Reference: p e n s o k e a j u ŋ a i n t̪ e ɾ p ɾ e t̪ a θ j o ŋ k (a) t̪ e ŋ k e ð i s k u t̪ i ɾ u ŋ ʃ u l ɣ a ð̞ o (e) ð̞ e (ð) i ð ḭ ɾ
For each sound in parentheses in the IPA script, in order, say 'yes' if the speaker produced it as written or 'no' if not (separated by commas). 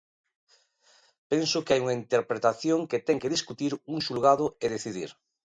no, yes, no